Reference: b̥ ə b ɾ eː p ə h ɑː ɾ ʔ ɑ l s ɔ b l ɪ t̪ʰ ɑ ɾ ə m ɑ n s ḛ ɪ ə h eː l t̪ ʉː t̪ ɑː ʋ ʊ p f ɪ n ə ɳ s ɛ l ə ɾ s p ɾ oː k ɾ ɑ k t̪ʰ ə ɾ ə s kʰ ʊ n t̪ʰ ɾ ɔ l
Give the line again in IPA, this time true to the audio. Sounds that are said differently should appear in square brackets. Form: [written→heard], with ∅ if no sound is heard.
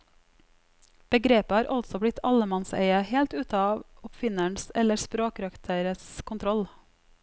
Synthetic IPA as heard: b̥ ə [b→ɡ] ɾ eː p ə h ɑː ɾ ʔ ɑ l s ɔ b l ɪ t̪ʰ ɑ [ɾ→l] ə m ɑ n s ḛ ɪ ə h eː l t̪ ʉː t̪ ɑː ʋ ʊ p f ɪ n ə ɳ s ɛ l ə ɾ s p ɾ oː k ɾ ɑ k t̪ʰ ə ɾ ə s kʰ ʊ n t̪ʰ ɾ ɔ l